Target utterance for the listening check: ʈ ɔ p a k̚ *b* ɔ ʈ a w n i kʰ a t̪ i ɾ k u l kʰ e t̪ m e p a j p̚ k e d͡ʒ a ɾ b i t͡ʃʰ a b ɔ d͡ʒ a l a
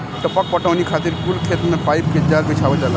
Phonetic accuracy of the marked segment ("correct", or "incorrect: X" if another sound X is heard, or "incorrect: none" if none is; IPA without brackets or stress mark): incorrect: p